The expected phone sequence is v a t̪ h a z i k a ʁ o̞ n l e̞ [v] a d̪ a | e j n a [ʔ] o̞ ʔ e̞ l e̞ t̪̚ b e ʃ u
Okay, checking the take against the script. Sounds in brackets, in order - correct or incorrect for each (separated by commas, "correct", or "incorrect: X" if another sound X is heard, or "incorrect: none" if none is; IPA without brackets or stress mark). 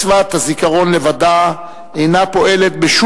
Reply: correct, incorrect: p